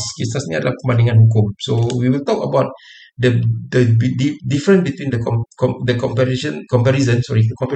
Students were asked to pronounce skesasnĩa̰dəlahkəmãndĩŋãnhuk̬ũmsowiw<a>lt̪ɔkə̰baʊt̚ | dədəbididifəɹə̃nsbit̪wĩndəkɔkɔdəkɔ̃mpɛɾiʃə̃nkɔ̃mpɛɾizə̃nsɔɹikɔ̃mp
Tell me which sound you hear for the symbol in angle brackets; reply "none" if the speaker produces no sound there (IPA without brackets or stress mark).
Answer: i